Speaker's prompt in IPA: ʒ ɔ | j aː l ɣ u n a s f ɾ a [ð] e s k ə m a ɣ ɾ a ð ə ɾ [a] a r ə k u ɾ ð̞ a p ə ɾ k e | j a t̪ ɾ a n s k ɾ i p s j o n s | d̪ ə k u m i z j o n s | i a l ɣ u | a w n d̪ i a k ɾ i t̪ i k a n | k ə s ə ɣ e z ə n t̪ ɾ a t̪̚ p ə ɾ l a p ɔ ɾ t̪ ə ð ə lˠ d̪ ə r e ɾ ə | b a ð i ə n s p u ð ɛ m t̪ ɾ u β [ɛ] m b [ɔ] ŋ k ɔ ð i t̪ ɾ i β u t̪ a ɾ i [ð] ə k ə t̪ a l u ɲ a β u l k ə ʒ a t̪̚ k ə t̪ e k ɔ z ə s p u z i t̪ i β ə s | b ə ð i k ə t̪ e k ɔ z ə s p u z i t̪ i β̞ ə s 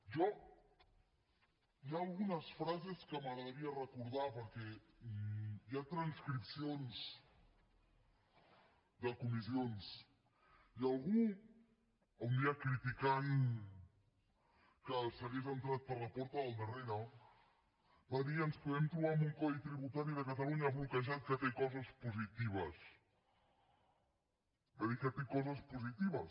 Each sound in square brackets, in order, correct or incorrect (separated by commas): incorrect, incorrect, incorrect, incorrect, correct